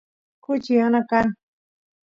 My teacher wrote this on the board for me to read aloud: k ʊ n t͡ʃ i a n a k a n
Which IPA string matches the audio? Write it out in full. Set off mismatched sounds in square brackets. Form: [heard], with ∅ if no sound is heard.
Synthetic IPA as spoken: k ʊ [∅] t͡ʃ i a n a k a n